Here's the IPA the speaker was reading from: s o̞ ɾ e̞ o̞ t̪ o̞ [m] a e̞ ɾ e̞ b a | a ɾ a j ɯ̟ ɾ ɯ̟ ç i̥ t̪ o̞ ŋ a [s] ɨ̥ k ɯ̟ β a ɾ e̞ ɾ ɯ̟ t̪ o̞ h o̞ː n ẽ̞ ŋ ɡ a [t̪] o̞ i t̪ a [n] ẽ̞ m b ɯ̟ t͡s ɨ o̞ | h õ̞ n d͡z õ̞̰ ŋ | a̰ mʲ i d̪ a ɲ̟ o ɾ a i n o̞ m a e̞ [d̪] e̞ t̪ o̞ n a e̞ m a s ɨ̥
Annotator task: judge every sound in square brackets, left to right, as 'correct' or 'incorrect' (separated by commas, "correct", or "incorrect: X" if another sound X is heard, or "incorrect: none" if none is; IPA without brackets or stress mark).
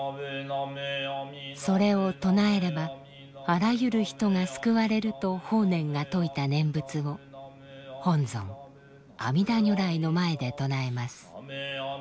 incorrect: n, correct, correct, correct, correct